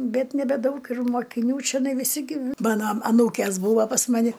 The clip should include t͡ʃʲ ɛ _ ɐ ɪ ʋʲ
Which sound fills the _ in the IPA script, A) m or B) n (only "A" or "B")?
B